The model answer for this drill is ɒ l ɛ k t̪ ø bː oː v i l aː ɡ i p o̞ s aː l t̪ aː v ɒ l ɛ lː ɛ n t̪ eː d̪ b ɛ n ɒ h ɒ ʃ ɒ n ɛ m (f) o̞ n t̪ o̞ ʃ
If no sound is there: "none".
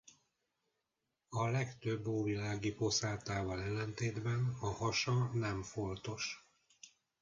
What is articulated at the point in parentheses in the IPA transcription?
f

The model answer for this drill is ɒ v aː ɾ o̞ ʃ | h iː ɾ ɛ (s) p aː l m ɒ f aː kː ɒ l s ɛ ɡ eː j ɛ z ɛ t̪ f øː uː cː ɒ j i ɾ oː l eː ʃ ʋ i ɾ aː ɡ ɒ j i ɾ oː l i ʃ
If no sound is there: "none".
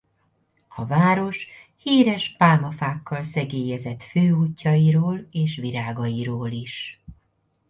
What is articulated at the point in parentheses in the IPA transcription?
ʃ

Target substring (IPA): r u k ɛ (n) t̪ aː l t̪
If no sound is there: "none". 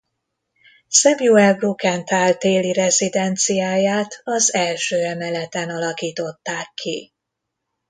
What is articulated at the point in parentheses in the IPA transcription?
n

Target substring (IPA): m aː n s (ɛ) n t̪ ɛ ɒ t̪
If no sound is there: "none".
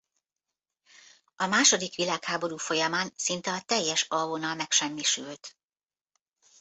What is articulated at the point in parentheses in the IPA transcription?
i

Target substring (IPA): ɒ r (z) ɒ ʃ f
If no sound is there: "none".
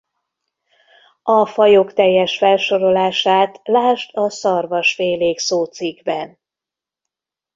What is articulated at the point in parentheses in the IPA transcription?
v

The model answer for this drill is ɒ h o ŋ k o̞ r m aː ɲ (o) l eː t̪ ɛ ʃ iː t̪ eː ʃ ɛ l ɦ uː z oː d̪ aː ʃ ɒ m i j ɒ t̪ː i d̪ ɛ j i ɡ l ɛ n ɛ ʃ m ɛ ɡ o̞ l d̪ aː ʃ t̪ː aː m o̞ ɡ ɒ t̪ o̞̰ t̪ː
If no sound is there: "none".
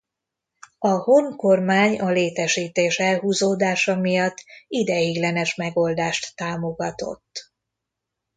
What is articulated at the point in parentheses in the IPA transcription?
ɒ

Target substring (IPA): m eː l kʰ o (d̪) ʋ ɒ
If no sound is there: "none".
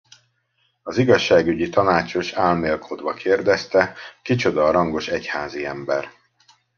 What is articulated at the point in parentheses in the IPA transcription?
d̪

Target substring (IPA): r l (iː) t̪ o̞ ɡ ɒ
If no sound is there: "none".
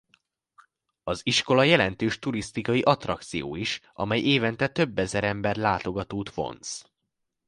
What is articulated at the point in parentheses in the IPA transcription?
aː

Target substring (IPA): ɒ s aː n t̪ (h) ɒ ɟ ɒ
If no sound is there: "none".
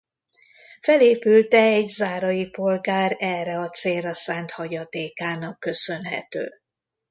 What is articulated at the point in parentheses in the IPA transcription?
h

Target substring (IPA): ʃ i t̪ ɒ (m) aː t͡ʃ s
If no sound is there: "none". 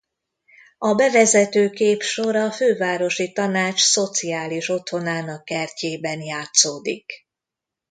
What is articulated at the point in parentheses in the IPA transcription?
n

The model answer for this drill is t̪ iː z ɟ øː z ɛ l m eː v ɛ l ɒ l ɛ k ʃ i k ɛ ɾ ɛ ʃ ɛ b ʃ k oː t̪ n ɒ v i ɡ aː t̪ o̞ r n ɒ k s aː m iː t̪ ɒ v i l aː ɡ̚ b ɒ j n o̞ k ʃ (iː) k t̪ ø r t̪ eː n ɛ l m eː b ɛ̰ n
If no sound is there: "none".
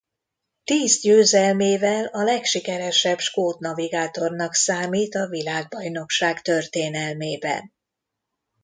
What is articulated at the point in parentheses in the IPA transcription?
aː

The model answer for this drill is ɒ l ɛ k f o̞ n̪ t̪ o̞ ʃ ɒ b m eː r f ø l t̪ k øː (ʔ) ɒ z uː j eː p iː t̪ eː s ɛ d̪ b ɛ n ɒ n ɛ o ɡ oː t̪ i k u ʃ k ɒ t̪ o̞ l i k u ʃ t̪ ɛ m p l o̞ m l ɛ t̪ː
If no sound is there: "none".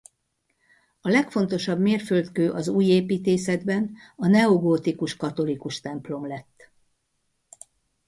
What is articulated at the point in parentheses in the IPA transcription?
ʔ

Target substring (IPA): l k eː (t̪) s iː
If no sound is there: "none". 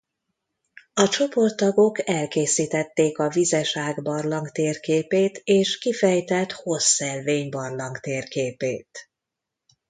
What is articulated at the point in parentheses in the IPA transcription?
none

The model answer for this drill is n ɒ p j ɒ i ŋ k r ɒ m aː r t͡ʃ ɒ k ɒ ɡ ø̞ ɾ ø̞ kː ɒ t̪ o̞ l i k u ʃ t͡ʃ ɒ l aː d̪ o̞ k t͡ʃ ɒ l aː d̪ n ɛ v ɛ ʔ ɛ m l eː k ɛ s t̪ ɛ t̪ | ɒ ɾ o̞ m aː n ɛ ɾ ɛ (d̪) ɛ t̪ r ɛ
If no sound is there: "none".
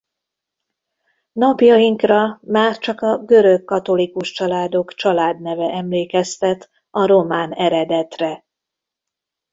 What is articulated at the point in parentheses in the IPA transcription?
d̪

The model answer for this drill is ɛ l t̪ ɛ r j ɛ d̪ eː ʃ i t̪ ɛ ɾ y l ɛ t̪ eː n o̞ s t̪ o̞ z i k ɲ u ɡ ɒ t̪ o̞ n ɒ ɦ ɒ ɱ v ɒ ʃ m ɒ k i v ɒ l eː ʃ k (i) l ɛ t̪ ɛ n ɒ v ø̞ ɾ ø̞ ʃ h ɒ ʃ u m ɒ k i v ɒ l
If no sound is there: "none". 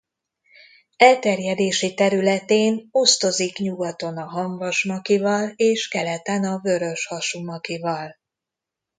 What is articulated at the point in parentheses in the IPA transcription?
ɛ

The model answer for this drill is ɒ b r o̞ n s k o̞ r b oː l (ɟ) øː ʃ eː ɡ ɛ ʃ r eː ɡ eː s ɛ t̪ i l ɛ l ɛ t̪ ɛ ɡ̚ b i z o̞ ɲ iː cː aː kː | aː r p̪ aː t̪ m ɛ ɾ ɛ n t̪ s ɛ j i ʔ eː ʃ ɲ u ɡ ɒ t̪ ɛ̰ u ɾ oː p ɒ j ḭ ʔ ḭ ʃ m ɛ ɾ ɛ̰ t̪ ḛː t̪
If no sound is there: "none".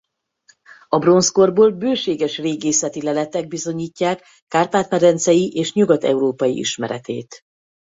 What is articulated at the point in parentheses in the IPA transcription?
b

